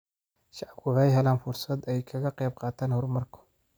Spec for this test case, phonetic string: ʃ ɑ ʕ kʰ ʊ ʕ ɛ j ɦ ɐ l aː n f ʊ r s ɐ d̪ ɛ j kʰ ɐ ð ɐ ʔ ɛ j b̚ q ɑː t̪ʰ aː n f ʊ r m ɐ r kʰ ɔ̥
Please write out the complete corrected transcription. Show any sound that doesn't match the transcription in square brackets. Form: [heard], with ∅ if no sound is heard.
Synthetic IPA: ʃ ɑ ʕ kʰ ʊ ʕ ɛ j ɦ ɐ l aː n f ʊ r s ɐ d̪ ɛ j kʰ ɐ [ɣ] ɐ [q] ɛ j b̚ q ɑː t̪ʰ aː n [h] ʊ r m ɐ r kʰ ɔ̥